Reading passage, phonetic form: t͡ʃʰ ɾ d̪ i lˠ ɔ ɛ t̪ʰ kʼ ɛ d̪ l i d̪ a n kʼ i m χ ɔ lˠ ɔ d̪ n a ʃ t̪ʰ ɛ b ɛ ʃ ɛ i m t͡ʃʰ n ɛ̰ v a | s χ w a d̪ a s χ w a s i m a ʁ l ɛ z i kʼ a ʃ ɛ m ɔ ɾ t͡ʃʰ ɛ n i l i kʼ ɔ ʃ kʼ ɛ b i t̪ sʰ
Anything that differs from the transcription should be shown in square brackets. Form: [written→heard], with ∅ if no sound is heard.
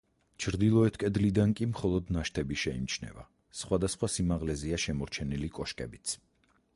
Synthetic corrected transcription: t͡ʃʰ ɾ d̪ i lˠ ɔ ɛ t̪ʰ kʼ ɛ d̪ l i d̪ a n kʼ i m χ ɔ lˠ ɔ d̪ n a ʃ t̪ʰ ɛ b [ɛ→i] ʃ ɛ i m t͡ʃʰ n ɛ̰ v a | s χ w a d̪ a s χ w a s i m a ʁ l ɛ z i [kʼ→∅] a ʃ ɛ m ɔ ɾ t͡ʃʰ ɛ n i l i kʼ ɔ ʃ kʼ ɛ b i t̪ sʰ